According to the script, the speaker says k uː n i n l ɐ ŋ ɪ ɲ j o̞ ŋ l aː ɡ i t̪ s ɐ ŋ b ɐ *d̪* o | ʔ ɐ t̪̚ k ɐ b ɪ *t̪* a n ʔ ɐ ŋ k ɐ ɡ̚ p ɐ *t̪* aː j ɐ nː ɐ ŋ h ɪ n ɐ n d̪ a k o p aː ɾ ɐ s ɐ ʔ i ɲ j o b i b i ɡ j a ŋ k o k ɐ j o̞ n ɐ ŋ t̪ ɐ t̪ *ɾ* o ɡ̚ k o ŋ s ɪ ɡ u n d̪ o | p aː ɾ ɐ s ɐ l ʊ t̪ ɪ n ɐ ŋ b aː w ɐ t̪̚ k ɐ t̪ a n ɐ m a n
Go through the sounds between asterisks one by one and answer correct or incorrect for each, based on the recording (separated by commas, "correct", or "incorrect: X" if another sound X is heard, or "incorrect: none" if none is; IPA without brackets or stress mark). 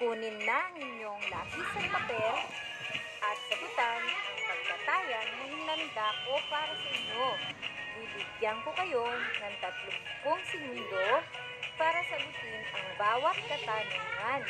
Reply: incorrect: t̪, correct, correct, incorrect: l